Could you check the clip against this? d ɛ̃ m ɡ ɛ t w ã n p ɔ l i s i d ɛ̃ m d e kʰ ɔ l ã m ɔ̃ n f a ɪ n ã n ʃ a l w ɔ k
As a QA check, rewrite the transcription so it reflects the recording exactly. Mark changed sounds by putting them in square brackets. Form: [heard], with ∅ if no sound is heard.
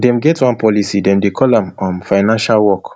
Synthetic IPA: d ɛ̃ m ɡ ɛ t w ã n p ɔ l i s i d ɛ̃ m d e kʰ ɔ l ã m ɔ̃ n f a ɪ n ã n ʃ a l w ɔ k